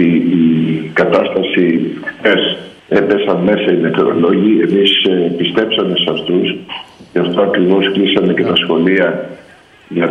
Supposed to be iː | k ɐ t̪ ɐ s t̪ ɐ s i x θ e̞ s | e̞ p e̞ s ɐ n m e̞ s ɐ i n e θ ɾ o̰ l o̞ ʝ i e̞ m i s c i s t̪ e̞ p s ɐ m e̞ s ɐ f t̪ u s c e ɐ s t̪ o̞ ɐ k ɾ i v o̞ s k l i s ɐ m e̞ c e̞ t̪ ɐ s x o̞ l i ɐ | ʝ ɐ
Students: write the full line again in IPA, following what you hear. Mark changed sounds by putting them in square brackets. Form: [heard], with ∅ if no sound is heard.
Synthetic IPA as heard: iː | k ɐ t̪ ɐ s t̪ ɐ s i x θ e̞ s | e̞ p e̞ s ɐ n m e̞ s ɐ i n e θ ɾ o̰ l o̞ ʝ i e̞ m i s [p] i s t̪ e̞ p s ɐ m e̞ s ɐ f t̪ u s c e ɐ [f] t̪ o̞ ɐ k ɾ i v o̞ s k l i s ɐ m e̞ c e̞ t̪ ɐ s x o̞ l i ɐ | ʝ ɐ